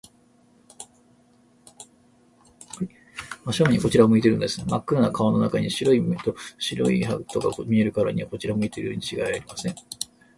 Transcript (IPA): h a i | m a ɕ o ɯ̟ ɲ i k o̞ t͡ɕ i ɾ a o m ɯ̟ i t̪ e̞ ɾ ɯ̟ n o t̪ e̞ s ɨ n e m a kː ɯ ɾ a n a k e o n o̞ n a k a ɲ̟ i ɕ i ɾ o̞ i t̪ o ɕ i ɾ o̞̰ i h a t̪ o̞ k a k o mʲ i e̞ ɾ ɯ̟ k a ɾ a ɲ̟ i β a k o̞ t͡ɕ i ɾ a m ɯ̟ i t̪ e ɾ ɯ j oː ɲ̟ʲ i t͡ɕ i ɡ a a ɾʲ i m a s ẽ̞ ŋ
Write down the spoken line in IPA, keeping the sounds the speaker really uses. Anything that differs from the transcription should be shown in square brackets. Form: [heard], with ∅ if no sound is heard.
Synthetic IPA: h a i | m a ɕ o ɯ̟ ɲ i k o̞ t͡ɕ i ɾ a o m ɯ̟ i t̪ e̞ ɾ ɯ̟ n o [d̪] e̞ s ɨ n e m a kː ɯ ɾ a n a k [a] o n o̞ n a k a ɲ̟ i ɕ i ɾ o̞ i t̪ o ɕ i ɾ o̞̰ i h a t̪ o̞ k a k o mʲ i e̞ ɾ ɯ̟ k a ɾ a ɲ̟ i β a k o̞ t͡ɕ i ɾ a m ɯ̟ i t̪ e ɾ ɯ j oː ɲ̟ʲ i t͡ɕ i ɡ a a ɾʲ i m a s ẽ̞ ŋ